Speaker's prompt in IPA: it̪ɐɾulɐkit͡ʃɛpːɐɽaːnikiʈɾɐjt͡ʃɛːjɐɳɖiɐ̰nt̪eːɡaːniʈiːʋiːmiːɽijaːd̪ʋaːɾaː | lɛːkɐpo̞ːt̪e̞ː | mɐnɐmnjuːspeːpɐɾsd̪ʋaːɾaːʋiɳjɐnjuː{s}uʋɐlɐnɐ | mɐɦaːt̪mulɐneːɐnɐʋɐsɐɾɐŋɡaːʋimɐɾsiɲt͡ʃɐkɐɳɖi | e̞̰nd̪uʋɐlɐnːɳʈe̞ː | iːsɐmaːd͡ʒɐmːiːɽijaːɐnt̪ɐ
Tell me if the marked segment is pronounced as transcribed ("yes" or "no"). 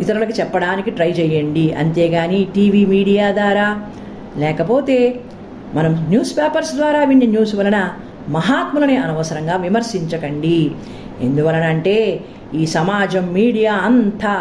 yes